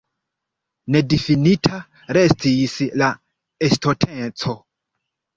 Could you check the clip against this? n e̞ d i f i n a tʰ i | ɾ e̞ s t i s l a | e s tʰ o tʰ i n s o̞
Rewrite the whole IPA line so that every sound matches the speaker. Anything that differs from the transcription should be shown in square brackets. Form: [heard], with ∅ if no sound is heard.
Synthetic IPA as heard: n e̞ d i f i n [i] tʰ [a] | ɾ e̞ s t i s l a | e s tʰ o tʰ [e] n [t͡s] o̞

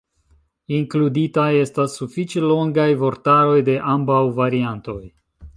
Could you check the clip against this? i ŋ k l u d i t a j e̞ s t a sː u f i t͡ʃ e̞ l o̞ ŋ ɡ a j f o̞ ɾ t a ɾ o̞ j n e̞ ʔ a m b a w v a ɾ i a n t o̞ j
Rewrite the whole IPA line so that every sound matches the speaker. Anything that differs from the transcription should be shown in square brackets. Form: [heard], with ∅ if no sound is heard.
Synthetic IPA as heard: i ŋ k l u d i t a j e̞ s t a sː u f i t͡ʃ e̞ l o̞ ŋ ɡ a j [v] o̞ ɾ t a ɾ o̞ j [d] e̞ ʔ a m b a w v a ɾ i a n t o̞ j

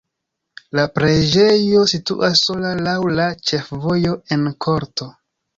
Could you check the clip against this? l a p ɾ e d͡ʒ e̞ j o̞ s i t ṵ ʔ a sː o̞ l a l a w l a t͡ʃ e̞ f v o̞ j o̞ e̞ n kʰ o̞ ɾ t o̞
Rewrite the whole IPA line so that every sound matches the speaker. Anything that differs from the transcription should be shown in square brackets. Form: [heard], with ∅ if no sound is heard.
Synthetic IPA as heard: l a p ɾ e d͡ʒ e̞ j o̞ s i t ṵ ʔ a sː o̞ l a l a w l a t͡ʃ e̞ f v o̞ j o̞ e̞ n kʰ o̞ ɾ t o̞

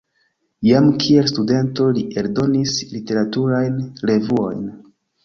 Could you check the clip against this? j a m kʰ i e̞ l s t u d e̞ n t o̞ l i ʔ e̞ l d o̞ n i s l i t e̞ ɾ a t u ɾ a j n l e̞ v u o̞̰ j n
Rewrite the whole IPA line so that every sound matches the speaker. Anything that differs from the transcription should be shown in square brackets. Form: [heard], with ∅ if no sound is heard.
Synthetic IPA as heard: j a m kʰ i e̞ l s t u d e̞ n t o̞ l i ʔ e̞ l d o̞ n i s l i t e̞ ɾ a t u ɾ a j n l e̞ v u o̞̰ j n

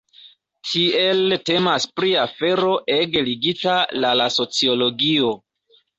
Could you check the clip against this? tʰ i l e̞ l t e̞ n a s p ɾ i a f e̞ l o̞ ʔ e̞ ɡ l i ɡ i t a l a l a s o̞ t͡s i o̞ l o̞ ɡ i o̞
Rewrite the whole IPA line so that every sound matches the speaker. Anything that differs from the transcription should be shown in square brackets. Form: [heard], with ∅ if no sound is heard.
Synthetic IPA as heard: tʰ i [∅] e̞ l t e̞ [m] a s p ɾ i a f e̞ [ɾ] o̞ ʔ e̞ ɡ l i ɡ i t a l a l a s o̞ t͡s i o̞ l o̞ ɡ i o̞

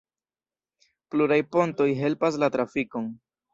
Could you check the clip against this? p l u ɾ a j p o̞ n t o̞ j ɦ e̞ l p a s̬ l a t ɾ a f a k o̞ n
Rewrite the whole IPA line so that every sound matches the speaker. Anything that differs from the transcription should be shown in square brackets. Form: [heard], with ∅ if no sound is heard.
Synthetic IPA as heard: p l u ɾ a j p o̞ n t o̞ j ɦ e̞ l p a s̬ l a t ɾ a f [i] k o̞ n

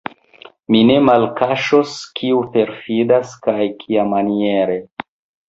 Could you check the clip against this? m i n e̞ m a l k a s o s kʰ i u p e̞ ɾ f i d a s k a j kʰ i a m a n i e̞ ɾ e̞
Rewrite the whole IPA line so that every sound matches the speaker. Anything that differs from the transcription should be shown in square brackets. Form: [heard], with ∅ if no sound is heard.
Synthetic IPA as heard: m i n e̞ m a l k a [ʃ] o s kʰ i u p e̞ ɾ f i d a s k a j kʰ i a m a n i e̞ ɾ e̞

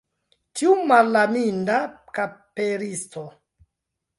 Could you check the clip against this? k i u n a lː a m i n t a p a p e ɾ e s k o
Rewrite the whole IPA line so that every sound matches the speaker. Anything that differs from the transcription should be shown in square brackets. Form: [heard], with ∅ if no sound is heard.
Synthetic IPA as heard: [t] i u [m] a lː a m i n [d] a [k] a p e ɾ [i] s [t] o

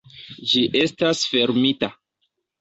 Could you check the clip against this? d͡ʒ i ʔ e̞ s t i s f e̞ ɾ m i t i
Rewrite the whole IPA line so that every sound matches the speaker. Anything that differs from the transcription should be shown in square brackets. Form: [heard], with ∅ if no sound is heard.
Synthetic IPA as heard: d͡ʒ i ʔ e̞ s t [a] s f e̞ ɾ m i t [a]

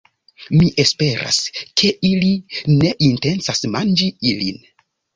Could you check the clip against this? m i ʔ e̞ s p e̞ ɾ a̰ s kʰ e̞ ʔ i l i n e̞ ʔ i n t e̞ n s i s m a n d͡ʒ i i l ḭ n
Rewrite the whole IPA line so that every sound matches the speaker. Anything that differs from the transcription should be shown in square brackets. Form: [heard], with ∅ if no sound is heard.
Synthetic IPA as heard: m i ʔ e̞ s p e̞ ɾ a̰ s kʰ e̞ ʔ i l i n e̞ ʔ i n t e̞ n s [a] s m a n d͡ʒ i i l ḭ n

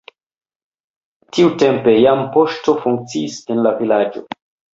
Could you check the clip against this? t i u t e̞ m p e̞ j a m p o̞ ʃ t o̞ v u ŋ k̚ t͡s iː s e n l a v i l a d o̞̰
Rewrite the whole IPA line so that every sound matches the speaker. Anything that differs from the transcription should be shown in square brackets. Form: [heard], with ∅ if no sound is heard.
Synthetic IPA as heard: t i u t e̞ m p e̞ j a m p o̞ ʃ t o̞ [f] u ŋ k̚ t͡s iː s e n l a v i l a [d͡ʒ] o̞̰

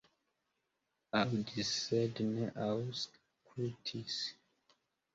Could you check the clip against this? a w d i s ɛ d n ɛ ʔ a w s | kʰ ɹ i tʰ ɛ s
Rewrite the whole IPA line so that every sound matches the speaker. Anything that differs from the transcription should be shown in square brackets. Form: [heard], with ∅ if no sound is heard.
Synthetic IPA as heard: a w d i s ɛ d n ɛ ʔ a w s | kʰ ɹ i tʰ [i] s

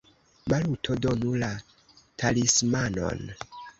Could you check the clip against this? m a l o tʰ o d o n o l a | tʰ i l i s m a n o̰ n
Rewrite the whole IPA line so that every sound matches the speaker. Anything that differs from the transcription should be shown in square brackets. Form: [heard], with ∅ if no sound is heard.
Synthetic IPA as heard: m a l [u] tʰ o d o n [u] l a | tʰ [a] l i s m a n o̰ n

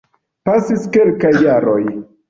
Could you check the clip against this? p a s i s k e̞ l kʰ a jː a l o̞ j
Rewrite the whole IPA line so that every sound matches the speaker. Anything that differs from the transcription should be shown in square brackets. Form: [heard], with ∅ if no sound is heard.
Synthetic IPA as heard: p a s i s k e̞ l [k] a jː a [ɾ] o̞ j

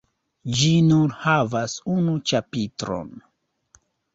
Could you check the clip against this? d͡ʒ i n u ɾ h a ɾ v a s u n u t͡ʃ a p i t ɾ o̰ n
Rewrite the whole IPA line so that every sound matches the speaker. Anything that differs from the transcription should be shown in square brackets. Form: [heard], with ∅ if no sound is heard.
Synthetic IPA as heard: d͡ʒ i n u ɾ h a [∅] v a s u n u t͡ʃ a p i t ɾ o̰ n

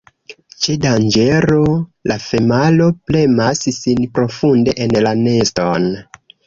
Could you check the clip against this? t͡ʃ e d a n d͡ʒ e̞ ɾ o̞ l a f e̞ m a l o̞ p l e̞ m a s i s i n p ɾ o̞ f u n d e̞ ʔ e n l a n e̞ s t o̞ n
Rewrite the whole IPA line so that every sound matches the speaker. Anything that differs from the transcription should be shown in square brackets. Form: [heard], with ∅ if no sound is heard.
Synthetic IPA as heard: t͡ʃ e d a n d͡ʒ e̞ ɾ o̞ l a f e̞ m a l o̞ p l e̞ m a s i s i n p ɾ o̞ f u n d e̞ ʔ e n l a n e̞ s t o̞ n

